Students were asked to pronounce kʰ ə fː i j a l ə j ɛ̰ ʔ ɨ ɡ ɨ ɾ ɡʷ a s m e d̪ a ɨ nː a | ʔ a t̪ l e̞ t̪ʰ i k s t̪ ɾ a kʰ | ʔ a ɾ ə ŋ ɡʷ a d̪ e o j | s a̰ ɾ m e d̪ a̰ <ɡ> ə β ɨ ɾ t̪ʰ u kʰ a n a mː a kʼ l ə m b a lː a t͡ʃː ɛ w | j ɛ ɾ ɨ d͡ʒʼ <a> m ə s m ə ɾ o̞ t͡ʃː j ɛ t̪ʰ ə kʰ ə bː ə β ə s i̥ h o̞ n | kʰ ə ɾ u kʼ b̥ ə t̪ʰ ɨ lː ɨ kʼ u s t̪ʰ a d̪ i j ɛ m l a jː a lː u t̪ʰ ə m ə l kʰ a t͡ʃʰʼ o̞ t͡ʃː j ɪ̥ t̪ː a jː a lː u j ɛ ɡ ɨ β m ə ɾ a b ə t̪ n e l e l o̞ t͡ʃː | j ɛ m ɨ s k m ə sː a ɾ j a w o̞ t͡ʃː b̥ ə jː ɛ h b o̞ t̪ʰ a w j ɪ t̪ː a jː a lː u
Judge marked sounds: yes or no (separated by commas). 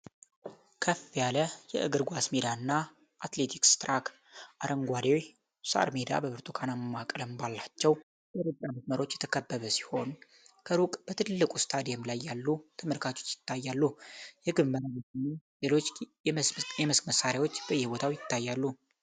no, yes